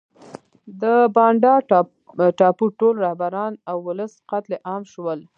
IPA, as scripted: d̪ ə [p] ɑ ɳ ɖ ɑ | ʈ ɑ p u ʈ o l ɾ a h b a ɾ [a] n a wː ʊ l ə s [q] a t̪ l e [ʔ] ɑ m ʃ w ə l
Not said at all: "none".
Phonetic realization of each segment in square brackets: b, ɑ, q, ʔ

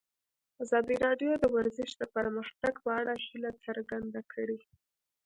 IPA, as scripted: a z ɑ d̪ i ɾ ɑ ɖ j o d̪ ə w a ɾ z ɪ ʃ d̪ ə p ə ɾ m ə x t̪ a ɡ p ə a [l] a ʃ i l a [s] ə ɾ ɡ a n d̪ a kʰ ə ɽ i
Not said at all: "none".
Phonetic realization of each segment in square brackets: ɽ, t͡s

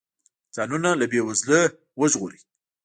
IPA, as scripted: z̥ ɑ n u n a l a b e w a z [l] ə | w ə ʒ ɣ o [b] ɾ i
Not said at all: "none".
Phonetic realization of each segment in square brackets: l, none

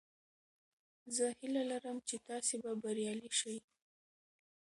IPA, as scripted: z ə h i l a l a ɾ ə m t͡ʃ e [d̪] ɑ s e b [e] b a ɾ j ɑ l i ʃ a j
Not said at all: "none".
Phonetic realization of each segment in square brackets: t̪, a

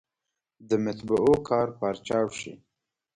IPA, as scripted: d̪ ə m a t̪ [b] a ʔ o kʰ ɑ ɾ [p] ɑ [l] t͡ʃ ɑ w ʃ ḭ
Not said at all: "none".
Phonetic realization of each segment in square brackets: b, p, ɾ

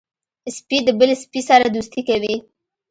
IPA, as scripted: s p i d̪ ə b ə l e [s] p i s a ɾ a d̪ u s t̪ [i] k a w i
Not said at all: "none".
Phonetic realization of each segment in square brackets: s, i

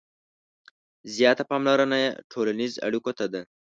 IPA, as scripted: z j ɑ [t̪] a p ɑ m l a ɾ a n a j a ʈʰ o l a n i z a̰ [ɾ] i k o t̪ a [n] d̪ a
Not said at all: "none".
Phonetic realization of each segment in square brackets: t̪, ɽ, none

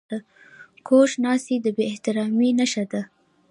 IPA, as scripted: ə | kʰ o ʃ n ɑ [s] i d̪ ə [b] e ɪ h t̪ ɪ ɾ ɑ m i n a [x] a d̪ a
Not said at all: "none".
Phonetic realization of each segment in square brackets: s, b, ʃ

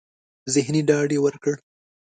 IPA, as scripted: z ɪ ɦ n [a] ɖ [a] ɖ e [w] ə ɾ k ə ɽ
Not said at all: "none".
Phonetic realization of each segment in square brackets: i, ɑ, w

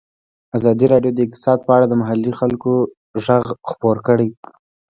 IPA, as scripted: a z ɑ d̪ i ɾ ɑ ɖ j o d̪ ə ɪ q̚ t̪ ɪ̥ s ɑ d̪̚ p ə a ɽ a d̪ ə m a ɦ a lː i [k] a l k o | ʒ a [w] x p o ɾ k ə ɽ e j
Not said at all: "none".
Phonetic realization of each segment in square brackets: x, ɣ

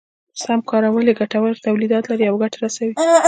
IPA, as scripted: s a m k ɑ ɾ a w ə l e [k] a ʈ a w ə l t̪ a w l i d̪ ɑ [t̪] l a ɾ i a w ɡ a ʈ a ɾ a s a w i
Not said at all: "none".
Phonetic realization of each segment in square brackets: ɡ, t̪

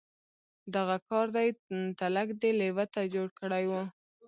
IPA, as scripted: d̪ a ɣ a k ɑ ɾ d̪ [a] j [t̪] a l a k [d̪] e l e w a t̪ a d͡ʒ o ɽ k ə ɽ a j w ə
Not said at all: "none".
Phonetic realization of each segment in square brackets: a, t̪, d̪

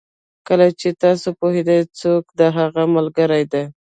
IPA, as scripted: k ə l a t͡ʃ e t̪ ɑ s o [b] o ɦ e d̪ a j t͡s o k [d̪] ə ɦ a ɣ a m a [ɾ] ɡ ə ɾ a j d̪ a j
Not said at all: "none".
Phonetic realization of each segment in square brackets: p, d̪, l

